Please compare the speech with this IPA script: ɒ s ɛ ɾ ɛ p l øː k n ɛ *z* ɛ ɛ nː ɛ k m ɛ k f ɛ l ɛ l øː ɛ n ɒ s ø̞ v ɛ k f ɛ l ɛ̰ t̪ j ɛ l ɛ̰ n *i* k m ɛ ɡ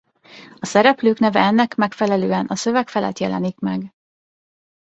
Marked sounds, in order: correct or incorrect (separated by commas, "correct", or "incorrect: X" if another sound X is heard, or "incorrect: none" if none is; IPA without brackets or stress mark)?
incorrect: v, correct